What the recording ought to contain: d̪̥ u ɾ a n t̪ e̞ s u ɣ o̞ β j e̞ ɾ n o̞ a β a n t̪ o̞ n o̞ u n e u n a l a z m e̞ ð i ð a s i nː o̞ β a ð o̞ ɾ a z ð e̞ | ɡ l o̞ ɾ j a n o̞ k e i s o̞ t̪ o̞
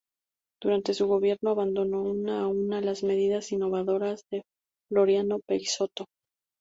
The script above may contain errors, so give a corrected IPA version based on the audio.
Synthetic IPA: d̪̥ u ɾ a n t̪ e̞ s u ɣ o̞ β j e̞ ɾ n o̞ a β a n d̪ o̞ n o̞ u n a u n a l a z m e̞ ð i ð a s i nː o̞ β a ð o̞ ɾ a z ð e̞ | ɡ l o̞ ɾ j a n o̞ p e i s o̞ t̪ o̞

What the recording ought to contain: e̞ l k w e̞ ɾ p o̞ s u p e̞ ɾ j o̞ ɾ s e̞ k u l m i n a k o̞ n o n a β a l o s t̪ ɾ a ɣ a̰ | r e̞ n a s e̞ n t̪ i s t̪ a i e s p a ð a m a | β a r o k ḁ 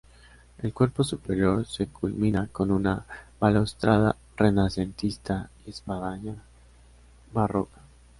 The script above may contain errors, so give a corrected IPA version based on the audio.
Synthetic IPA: e̞ l k w e̞ ɾ p o̞ s u p e̞ ɾ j o̞ ɾ s e̞ k u l m i n a k o̞ n u n a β a l o s t̪ ɾ a ð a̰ | r e̞ n a s e̞ n t̪ i s t̪ a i e s p a ð a ɲ a | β a r o k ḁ

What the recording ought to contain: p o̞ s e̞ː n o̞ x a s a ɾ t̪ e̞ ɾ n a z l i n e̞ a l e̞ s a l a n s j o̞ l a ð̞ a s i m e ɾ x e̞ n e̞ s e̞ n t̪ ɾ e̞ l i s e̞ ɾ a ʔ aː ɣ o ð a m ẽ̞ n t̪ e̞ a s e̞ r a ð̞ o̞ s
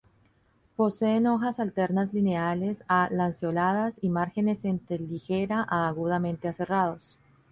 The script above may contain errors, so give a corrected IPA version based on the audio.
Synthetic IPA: p o̞ s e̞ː n o̞ x a s a l t̪ e̞ ɾ n a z l i n e̞ a l e̞ s a l a n s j o̞ l a ð̞ a s i m a ɾ x e̞ n e̞ s e̞ n t̪ ɾ e̞ l i x e̞ ɾ a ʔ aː ɣ u ð a m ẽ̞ n t̪ e̞ a s e̞ r a ð̞ o̞ s

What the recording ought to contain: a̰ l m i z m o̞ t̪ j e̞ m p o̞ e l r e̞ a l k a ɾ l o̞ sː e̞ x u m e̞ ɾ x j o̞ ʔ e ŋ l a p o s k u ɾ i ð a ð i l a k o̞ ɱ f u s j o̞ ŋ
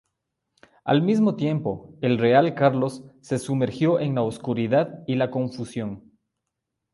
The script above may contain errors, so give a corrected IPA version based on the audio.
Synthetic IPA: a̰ l m i z m o̞ t̪ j e̞ m p o̞ e l r e̞ a l k a ɾ l o̞ sː e̞ s u m e̞ ɾ x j o̞ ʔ e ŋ l a o s k u ɾ i ð a ð i l a k o̞ ɱ f u s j o̞ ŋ

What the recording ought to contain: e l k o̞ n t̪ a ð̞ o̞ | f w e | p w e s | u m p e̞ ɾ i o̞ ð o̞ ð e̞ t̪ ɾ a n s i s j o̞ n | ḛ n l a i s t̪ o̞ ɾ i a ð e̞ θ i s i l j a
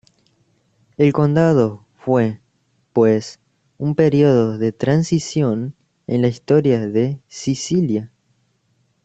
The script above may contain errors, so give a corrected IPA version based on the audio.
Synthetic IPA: e l k o̞ n d̪ a ð̞ o̞ | f w e | p w e s | u m p e̞ ɾ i o̞ ð o̞ ð e̞ t̪ ɾ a n s i s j o̞ n | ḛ n l a i s t̪ o̞ ɾ j a ð e̞ s i s i l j a

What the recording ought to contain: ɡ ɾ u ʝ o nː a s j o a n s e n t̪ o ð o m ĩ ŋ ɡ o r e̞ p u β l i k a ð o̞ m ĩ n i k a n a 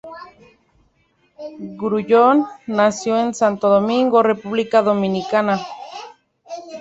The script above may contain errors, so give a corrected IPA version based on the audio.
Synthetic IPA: ɡ ɾ u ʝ o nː a s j o e n s a n t̪ o ð o m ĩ ŋ ɡ o r e̞ p u β l i k a ð o̞ m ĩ n i k a n a

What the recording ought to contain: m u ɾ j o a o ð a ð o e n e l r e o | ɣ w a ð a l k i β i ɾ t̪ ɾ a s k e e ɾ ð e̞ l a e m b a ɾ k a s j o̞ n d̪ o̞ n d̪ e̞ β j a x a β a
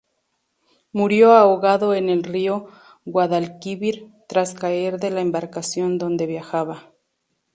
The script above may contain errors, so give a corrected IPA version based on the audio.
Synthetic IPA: m u ɾ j o a o ɣ a ð o e n e l r i o | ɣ w a ð a l k i β i ɾ t̪ ɾ a s k a e ɾ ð e̞ l a e m b a ɾ k a s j o̞ n d̪ o̞ n d̪ e̞ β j a x a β a

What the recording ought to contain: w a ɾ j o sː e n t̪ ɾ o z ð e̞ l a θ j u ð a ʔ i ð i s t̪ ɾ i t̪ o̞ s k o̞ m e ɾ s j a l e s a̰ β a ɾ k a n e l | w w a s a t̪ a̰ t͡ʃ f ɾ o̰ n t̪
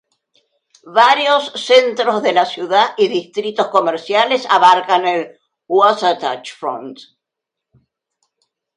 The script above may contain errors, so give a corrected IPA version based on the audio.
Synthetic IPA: β a ɾ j o sː e n t̪ ɾ o z ð e̞ l a s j u ð a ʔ i ð i s t̪ ɾ i t̪ o̞ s k o̞ m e ɾ s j a l e s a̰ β a ɾ k a n e l | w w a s a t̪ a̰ t͡ʃ f ɾ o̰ n t̪

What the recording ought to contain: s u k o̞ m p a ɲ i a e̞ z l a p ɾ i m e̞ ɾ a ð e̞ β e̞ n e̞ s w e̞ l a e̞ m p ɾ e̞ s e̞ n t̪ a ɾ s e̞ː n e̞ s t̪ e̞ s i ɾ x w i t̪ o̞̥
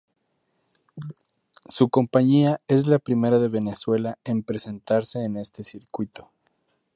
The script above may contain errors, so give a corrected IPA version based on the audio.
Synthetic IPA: s u k o̞ m p a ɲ i a e̞ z l a p ɾ i m e̞ ɾ a ð e̞ β e̞ n e̞ s w e̞ l a e̞ m p ɾ e̞ s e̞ n t̪ a ɾ s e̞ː n e̞ s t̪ e̞ s i ɾ k w i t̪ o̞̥

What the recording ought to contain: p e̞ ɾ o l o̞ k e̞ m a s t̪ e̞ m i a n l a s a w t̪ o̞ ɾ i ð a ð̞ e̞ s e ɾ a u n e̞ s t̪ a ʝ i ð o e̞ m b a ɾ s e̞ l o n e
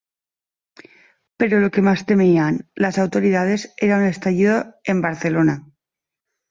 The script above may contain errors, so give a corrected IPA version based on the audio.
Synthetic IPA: p e̞ ɾ o l o̞ k e̞ m a s t̪ e̞ m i a n l a s a w t̪ o̞ ɾ i ð a ð̞ e̞ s e ɾ a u n e̞ s t̪ a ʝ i ð o e̞ m b a ɾ θ e̞ l o n a

